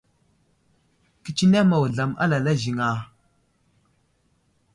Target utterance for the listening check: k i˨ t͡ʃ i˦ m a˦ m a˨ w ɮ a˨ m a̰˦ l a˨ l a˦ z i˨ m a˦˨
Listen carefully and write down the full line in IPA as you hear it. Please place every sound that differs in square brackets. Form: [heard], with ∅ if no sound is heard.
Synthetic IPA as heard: k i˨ t͡ʃ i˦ [n] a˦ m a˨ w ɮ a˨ m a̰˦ l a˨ l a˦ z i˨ [ŋ] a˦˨